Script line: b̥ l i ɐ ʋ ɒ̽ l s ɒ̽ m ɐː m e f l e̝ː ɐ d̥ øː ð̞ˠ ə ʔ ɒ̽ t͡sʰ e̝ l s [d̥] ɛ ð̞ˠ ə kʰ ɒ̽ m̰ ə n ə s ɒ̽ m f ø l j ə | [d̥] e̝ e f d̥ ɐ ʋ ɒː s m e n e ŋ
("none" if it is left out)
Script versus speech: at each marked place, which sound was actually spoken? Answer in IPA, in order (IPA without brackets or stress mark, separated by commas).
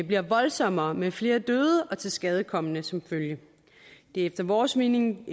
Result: ɡ̥, d̥